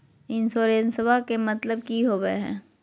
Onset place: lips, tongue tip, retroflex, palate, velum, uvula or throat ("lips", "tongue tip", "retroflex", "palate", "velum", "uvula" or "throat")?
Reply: tongue tip